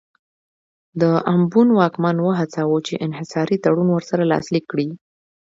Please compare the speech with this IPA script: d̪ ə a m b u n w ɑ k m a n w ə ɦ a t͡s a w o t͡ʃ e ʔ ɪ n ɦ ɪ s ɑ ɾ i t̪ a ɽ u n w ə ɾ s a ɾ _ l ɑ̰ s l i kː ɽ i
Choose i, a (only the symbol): a